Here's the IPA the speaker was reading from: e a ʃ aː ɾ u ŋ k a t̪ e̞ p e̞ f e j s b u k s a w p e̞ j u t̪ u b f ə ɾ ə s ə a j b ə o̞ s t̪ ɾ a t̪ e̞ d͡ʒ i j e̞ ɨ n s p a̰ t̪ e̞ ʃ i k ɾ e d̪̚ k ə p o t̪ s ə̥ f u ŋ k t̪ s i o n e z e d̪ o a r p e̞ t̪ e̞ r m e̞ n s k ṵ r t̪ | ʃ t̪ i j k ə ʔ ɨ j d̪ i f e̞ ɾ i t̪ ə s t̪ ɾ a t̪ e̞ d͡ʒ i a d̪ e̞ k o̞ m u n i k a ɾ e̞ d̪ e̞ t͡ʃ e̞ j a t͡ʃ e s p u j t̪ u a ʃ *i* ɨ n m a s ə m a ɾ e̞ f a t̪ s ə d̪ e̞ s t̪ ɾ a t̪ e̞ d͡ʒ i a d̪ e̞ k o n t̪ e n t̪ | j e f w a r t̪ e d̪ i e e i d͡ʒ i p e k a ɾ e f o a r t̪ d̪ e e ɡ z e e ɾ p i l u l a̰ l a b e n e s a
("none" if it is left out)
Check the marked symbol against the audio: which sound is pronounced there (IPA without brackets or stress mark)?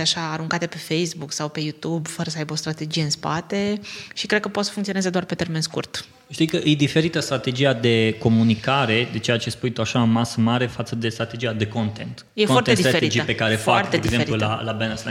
a